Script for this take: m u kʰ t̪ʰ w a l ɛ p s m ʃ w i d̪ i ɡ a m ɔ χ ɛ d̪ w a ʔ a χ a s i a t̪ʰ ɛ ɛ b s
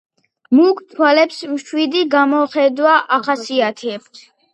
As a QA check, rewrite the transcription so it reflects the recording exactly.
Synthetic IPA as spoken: m u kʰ t̪ʰ w a l ɛ p s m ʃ w i d̪ i ɡ a m ɔ χ ɛ d̪ w a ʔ a χ a s i a t̪ʰ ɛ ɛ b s